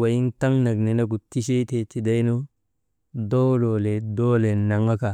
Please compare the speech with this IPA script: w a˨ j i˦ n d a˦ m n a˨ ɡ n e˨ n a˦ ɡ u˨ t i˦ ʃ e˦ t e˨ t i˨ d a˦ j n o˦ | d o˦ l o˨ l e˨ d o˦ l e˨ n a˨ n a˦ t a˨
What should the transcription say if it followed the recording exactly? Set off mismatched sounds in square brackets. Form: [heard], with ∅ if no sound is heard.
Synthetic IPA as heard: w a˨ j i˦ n [t] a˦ [ŋ] n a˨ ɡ n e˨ n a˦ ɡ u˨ t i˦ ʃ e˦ t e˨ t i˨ d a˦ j n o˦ | d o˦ l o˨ l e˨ d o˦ l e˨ n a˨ [ŋ] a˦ [k] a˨

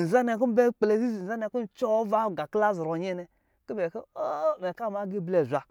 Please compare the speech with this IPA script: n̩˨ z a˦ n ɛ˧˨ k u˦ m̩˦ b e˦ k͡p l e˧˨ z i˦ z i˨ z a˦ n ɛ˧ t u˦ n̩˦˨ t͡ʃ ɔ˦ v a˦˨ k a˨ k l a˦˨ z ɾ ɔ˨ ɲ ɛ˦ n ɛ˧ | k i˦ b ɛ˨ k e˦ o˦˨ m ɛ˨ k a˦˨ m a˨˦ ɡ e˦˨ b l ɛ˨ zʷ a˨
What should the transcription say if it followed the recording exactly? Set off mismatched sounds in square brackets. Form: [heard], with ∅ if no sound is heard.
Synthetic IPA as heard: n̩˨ z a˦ n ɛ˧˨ k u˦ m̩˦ b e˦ k͡p l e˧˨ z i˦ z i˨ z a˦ n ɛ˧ [k] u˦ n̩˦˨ t͡ʃ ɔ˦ v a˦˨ [ɡ] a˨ k l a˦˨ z ɾ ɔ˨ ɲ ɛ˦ n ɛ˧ | k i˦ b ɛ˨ k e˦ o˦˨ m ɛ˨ k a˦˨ m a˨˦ ɡ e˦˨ b l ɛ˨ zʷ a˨

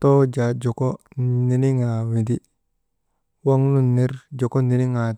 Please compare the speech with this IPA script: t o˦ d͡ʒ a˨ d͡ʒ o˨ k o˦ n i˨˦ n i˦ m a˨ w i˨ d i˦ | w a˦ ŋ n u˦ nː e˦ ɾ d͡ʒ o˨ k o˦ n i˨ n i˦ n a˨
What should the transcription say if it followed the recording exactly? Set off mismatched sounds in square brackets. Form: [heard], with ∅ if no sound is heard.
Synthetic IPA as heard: t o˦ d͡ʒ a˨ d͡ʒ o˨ k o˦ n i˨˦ n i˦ [ŋ] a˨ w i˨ d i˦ | w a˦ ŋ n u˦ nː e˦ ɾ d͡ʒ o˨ k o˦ n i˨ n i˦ [ŋ] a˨

